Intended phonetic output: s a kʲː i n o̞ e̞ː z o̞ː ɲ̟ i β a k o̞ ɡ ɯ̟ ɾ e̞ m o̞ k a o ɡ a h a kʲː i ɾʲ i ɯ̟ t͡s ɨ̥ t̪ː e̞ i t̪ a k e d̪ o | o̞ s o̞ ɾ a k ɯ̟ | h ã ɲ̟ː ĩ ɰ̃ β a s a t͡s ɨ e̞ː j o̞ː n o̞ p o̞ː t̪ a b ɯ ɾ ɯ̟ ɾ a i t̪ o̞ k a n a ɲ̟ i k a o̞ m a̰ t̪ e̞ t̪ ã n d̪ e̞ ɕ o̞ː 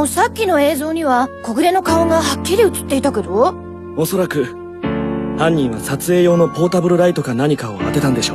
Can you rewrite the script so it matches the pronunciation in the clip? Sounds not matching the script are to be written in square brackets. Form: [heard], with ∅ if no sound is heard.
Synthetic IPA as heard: s a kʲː i n o̞ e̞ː z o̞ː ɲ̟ i β a k o̞ ɡ ɯ̟ ɾ e̞ [n] o̞ k a o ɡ a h a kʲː i ɾʲ i ɯ̟ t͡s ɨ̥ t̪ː e̞ i t̪ a k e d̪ o | o̞ s o̞ ɾ a k ɯ̟ | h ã ɲ̟ː ĩ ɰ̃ β a s a t͡s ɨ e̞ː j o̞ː n o̞ p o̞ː t̪ a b ɯ ɾ ɯ̟ ɾ a i t̪ o̞ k a n a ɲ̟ i k a o̞ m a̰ t̪ e̞ t̪ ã n d̪ e̞ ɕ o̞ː